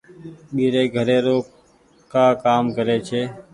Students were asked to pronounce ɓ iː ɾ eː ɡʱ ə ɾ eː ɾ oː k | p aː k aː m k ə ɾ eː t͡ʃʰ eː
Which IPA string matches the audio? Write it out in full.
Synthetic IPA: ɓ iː ɾ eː ɡʱ ə ɾ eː ɾ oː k | k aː k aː m k ə ɾ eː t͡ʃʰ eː